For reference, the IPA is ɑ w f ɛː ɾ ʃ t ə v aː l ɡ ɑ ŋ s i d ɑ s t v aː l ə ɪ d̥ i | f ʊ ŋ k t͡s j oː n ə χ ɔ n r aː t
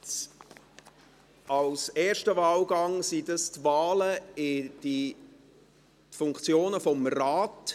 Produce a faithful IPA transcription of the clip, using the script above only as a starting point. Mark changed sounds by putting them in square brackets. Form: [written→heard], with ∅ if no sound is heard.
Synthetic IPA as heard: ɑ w [f→s] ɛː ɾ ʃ t ə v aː l ɡ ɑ ŋ s i d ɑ s t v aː l ə ɪ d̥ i | f ʊ ŋ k t͡s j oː n ə [χ→f] ɔ [n→m] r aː t